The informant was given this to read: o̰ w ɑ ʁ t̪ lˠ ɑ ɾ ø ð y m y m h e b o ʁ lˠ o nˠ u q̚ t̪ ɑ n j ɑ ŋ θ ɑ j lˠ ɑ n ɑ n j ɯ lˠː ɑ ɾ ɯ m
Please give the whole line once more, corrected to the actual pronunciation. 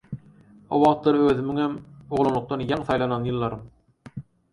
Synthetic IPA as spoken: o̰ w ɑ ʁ t̪ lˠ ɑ ɾ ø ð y m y ŋ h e m o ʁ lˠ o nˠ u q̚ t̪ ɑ n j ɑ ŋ θ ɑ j lˠ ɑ n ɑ n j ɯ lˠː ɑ ɾ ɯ m

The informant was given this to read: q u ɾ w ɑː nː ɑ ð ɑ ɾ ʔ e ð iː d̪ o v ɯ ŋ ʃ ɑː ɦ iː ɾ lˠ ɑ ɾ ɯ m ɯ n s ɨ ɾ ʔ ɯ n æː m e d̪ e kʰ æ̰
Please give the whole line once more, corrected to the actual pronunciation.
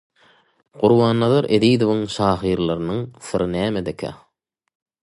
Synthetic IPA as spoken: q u ɾ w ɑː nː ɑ ð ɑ ɾ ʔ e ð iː d̪ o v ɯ ŋ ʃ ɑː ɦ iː ɾ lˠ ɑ ɾ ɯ n ɯ ŋ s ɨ ɾ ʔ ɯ n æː m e d̪ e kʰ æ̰

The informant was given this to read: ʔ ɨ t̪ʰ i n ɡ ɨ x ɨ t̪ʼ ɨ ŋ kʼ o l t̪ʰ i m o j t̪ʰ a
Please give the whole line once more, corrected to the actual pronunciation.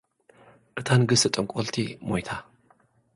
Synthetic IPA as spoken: ʔ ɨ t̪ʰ a n ɡ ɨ s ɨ t̪ʼ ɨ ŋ kʼ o l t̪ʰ i m o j t̪ʰ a

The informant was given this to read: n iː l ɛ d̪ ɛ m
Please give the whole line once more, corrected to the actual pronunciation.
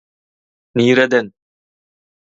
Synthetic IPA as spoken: n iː ɾ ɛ d̪ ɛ n

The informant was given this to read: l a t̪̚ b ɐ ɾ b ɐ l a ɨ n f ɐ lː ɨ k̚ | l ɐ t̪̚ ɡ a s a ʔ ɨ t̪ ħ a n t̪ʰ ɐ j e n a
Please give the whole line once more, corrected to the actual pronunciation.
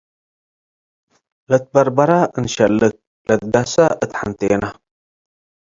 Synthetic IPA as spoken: l ɐ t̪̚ b ɐ ɾ b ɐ ɾ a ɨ n ʃ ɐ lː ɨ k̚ | l ɐ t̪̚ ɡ a s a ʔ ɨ t̪ ħ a n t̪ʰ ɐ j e n a

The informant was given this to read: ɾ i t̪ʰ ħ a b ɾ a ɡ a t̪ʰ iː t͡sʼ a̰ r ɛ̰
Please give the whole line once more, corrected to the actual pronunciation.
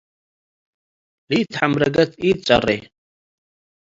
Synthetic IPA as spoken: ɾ i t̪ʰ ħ a m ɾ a ɡ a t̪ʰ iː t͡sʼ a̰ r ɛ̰

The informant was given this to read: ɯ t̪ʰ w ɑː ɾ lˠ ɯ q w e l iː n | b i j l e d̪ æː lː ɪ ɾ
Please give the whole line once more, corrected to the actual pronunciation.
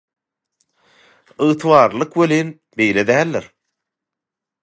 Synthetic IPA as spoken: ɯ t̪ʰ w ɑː ɾ lˠ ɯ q w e l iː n | b e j l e d̪ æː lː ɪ ɾ

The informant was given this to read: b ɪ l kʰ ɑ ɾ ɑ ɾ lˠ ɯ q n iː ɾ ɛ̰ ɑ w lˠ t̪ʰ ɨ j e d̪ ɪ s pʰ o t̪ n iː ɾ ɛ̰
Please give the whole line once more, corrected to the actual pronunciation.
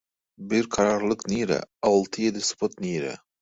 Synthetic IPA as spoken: b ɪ ɾ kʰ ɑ ɾ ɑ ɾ lˠ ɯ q n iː ɾ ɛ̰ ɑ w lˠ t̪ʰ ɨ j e d̪ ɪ s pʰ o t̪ n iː ɾ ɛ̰

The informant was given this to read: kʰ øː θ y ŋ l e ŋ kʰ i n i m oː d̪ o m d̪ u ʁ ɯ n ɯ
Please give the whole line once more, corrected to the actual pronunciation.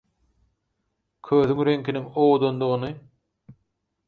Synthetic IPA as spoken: kʰ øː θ y ŋ ɾ e ŋ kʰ i n i ŋ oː d̪ o n d̪ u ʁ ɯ n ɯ

